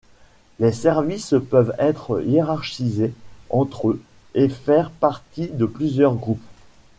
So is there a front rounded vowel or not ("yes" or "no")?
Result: yes